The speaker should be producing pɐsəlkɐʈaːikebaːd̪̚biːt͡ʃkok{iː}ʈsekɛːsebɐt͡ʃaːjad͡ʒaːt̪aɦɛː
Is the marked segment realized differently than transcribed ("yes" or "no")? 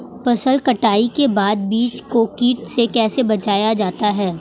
no